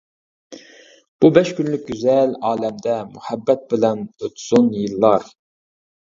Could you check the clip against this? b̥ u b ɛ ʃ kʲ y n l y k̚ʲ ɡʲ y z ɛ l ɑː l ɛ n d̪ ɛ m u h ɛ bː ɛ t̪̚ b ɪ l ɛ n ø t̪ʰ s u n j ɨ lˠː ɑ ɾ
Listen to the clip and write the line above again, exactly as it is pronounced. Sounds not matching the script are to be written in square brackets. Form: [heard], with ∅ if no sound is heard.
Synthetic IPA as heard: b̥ u b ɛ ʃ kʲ y n l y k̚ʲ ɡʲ y z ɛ l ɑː l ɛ [m] d̪ ɛ m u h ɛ bː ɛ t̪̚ b ɪ l ɛ n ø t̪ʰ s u n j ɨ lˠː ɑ ɾ

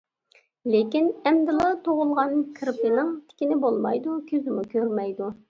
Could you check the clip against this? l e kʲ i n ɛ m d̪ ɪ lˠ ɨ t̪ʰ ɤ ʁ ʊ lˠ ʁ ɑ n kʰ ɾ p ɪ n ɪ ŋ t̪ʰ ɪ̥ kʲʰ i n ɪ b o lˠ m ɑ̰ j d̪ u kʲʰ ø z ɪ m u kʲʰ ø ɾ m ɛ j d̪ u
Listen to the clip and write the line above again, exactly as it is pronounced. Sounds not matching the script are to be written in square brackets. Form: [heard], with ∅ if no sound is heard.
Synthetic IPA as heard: l e kʲ i n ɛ m d̪ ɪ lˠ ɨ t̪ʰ [o] ʁ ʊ lˠ ʁ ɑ n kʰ ɾ p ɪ n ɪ ŋ t̪ʰ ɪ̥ [kʲ] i n ɪ b o lˠ m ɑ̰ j d̪ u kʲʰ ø z ɪ m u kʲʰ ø ɾ m ɛ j d̪ u

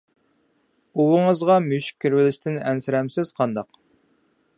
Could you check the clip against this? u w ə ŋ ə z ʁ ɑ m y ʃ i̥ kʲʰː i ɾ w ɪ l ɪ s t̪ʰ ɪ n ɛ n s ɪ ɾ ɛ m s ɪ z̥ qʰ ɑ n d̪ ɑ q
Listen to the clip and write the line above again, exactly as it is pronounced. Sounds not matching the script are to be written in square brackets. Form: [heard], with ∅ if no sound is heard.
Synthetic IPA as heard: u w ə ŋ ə z ʁ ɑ m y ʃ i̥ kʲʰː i ɾ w ɪ l ɪ [ʃ] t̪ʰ ɪ n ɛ n s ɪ ɾ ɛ m s ɪ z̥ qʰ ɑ n d̪ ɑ q

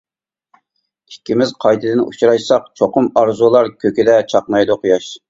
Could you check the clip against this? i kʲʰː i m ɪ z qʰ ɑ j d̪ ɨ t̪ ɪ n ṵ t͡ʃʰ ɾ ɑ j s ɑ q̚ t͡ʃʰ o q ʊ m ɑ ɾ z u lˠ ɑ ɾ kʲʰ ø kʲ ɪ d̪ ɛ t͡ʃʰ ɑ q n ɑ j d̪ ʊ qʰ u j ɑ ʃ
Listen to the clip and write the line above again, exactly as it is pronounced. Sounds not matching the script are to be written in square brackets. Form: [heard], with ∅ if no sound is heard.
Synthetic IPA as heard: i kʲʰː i m ɪ z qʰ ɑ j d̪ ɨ [d̪] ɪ n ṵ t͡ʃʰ ɾ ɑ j s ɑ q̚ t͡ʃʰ o q ʊ m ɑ ɾ z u lˠ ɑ ɾ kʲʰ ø kʲ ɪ d̪ ɛ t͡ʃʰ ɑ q n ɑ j d̪ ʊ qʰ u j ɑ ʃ

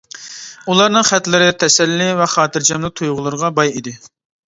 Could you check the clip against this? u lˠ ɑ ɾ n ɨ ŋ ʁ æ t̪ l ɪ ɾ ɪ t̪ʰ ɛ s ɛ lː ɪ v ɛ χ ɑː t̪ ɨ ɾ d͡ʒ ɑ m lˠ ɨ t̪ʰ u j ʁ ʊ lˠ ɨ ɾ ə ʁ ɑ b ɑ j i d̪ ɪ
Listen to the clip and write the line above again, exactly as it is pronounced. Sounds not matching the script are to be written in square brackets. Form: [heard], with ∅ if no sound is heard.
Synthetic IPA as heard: u lˠ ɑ ɾ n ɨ ŋ [χ] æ t̪ l ɪ ɾ ɪ t̪ʰ ɛ s ɛ lː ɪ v ɛ χ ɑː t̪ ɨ ɾ d͡ʒ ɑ m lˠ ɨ t̪ʰ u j ʁ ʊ lˠ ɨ ɾ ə ʁ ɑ b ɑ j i d̪ ɪ

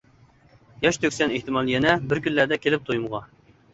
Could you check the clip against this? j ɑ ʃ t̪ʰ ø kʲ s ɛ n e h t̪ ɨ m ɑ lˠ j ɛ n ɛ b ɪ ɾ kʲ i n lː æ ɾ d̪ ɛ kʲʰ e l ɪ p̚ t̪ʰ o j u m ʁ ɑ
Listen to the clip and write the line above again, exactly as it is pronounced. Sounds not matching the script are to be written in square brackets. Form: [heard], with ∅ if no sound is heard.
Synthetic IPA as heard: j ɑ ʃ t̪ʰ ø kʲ s ɛ n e h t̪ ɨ m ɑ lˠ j ɛ n ɛ b ɪ ɾ kʲ [y] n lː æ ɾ d̪ ɛ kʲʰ e l ɪ p̚ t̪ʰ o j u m ʁ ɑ

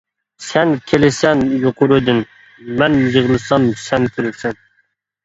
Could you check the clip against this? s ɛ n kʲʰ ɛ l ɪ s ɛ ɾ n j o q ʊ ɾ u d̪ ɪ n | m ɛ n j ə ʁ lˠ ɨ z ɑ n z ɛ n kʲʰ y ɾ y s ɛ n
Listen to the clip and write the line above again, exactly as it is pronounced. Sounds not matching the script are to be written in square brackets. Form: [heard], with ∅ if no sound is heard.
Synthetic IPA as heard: s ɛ n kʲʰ [e] l ɪ s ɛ [∅] n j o q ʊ ɾ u d̪ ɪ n | m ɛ n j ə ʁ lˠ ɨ [s] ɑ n [s] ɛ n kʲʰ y ɾ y s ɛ n

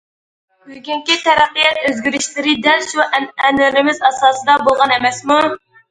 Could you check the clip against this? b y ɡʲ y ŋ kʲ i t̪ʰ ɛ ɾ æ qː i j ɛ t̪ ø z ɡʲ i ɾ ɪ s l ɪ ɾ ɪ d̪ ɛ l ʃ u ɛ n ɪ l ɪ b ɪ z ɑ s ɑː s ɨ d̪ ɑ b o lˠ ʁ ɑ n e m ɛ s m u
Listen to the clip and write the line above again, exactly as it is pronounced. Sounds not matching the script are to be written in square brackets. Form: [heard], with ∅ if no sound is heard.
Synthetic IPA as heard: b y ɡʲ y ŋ kʲ i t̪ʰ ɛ ɾ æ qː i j ɛ t̪ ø z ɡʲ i ɾ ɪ [ʃ] l ɪ ɾ ɪ d̪ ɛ l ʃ u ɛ n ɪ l ɪ [m] ɪ z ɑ s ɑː s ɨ d̪ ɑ b o lˠ ʁ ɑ n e m ɛ s m u

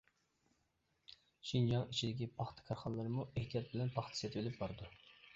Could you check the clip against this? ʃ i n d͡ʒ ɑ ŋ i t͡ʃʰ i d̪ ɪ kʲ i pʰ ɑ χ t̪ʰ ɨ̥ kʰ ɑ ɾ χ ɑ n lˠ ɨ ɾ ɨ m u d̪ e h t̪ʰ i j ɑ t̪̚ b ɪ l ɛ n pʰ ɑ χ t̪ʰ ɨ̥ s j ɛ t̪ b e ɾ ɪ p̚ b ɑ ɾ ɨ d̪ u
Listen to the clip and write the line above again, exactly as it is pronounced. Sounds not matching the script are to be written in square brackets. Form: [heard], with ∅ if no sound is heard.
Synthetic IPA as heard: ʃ i n d͡ʒ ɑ ŋ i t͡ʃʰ i d̪ ɪ kʲ i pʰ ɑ χ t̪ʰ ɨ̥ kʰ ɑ ɾ χ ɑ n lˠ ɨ ɾ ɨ m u [∅] e h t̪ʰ i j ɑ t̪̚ b ɪ l ɛ n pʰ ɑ χ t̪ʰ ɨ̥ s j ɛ t̪ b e [l] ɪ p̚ b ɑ ɾ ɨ d̪ u

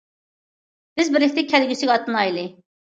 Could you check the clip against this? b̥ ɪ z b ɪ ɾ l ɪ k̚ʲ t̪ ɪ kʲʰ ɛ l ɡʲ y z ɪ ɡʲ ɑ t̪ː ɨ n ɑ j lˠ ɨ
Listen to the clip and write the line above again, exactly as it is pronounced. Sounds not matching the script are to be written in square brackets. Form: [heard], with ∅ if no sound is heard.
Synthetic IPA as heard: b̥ ɪ z b ɪ ɾ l ɪ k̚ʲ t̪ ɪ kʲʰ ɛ l ɡʲ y [s] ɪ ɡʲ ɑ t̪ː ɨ n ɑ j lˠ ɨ

